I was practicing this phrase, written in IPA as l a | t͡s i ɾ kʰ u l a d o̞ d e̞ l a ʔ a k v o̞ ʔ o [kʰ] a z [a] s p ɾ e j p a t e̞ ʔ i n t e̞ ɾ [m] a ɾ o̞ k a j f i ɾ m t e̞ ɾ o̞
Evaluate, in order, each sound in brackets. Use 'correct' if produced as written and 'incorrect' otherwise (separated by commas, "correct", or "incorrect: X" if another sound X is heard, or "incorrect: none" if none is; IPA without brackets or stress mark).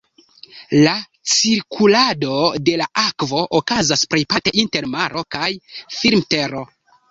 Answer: incorrect: k, correct, correct